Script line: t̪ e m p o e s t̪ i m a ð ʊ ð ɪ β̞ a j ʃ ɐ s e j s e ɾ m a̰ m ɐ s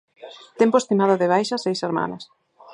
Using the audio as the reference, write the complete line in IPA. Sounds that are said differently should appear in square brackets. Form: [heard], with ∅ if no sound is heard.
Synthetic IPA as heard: t̪ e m p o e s t̪ i m a ð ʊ ð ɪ β̞ a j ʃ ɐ s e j s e ɾ m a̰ [n] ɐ s

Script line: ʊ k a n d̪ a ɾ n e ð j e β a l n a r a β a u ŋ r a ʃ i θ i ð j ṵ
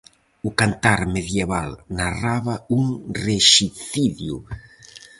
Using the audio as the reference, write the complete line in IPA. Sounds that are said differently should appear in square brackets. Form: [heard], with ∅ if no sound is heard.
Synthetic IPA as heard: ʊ k a n [t̪] a ɾ [m] e ð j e β a l n a r a β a u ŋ r [e] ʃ i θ i ð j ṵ

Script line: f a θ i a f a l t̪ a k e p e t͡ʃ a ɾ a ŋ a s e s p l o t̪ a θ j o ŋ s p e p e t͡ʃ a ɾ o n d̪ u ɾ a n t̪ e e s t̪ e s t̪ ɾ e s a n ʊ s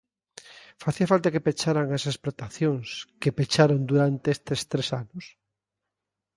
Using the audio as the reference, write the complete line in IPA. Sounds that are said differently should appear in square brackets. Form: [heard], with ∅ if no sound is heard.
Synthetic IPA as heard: f a θ i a f a l t̪ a k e p e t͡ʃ a ɾ a ŋ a s e s p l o t̪ a θ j o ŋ s [k] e p e t͡ʃ a ɾ o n d̪ u ɾ a n t̪ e e s t̪ e s t̪ ɾ e s a n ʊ s

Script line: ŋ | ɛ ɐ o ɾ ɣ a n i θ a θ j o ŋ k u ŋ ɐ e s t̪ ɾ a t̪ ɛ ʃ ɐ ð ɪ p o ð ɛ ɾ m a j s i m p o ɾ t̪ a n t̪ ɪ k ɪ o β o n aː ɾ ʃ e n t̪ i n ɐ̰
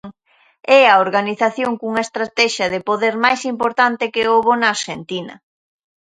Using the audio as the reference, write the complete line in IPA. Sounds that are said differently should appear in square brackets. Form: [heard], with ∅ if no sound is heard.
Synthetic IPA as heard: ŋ | ɛ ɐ o ɾ ɣ a n i θ a θ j o ŋ k u ŋ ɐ e s t̪ ɾ a t̪ ɛ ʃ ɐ ð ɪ p o ð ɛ ɾ m a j s i m p o ɾ t̪ a n t̪ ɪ k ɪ o β o n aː ɾ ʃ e n t̪ i n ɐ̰

